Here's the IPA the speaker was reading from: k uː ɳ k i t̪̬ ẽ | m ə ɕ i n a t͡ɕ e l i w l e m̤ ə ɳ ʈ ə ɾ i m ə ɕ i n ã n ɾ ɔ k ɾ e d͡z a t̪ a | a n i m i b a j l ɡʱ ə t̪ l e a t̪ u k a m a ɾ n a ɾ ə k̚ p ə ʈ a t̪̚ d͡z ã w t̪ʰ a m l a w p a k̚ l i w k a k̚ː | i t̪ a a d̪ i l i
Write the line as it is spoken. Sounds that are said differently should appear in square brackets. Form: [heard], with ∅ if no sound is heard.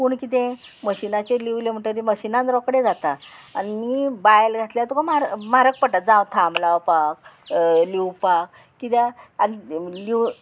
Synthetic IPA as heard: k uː ɳ k i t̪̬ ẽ | m ə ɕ i n a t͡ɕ e l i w l e m̤ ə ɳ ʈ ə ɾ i m ə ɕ i n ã n ɾ ɔ k [ɽ] e d͡z a t̪ a | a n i m i b a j l ɡʱ [a] t̪ l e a t̪ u k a m a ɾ [m] a ɾ ə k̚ p ə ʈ a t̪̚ d͡z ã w t̪ʰ a m l a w p a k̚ l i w [p] a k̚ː | i t̪ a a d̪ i l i